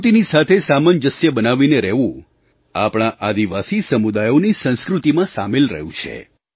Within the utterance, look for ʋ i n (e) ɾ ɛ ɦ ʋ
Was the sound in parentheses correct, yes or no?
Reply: yes